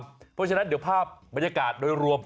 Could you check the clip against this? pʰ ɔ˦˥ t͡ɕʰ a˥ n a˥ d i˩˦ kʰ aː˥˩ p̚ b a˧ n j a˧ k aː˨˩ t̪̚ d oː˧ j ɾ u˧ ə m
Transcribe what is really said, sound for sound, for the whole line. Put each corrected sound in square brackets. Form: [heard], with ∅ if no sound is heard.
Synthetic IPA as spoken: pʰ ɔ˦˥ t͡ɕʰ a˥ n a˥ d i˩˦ [pʰ] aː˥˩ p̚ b a˧ n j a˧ k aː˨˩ t̪̚ d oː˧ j ɾ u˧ ə m